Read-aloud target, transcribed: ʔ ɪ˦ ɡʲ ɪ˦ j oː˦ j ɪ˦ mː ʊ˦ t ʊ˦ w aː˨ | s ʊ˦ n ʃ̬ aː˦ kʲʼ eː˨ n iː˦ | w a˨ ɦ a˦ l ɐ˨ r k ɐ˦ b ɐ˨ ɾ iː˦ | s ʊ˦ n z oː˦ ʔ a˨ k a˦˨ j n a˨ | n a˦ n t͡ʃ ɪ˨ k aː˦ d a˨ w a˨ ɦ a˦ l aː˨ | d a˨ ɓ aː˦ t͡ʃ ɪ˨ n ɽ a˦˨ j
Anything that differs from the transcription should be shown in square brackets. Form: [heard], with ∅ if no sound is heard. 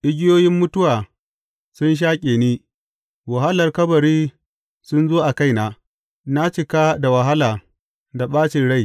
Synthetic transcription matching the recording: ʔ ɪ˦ ɡʲ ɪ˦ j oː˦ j ɪ˦ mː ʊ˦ t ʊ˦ w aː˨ | s ʊ˦ n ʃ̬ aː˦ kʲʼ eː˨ n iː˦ | w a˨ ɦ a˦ l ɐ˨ r k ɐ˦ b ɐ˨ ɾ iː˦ | s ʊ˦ n z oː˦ ʔ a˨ k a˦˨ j n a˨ | n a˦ [∅] t͡ʃ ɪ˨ k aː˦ d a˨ w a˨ ɦ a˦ l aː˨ | d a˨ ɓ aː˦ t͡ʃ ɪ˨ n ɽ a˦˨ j